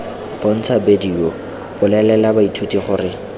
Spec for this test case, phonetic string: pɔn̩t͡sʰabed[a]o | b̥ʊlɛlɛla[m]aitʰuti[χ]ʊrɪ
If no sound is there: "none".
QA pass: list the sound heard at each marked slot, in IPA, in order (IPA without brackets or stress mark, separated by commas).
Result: i, b, χ